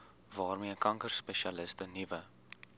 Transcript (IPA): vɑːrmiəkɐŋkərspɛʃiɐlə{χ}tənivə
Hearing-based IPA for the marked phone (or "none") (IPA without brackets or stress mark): s